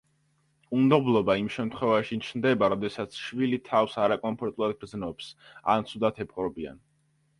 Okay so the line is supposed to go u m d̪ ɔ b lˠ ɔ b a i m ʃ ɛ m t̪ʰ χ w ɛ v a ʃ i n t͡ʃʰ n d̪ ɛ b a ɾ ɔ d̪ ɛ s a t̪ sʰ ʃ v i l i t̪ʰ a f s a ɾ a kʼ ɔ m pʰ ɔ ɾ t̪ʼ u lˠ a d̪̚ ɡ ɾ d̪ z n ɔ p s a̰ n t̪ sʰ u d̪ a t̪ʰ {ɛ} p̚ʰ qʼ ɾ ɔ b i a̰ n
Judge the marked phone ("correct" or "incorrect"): correct